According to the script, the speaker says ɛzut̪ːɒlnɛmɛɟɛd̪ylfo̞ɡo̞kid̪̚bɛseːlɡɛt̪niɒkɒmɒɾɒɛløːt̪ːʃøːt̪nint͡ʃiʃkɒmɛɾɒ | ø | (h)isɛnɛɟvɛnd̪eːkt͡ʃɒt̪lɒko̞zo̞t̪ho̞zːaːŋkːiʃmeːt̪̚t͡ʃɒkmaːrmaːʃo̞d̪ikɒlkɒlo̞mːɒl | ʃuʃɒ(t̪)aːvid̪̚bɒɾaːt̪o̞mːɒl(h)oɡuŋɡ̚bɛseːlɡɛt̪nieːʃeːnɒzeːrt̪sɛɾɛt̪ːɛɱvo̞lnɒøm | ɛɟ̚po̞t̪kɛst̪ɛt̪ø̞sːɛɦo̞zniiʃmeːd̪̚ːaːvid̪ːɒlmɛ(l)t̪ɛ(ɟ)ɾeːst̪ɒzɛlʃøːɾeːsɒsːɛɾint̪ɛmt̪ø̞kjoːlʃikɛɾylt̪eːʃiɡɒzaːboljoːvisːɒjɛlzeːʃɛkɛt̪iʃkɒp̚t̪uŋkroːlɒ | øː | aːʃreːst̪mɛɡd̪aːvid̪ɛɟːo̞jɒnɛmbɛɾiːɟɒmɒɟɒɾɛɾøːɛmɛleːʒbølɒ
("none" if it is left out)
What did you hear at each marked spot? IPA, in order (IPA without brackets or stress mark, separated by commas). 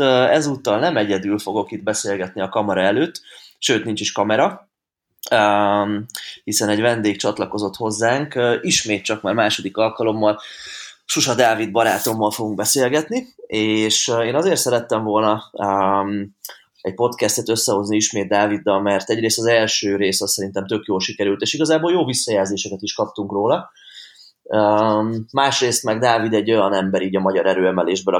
h, d̪, f, r, ɟ